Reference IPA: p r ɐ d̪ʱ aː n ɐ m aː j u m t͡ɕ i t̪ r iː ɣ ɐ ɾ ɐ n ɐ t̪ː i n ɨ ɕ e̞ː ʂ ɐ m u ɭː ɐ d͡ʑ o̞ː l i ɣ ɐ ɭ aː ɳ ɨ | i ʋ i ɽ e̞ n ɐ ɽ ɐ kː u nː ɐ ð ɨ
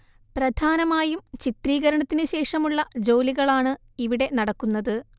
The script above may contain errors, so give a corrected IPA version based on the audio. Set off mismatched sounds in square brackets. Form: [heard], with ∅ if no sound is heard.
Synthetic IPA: p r ɐ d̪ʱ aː n ɐ m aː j u m t͡ɕ i t̪ r iː ɣ ɐ ɾ ɐ [ɳ] ɐ t̪ː i n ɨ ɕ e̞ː ʂ ɐ m u ɭː ɐ d͡ʑ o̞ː l i ɣ ɐ ɭ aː ɳ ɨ | i ʋ i ɽ e̞ n ɐ ɽ ɐ kː u nː ɐ ð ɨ